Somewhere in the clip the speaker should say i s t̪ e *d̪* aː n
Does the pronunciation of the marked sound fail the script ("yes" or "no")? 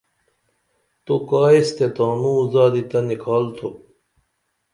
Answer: yes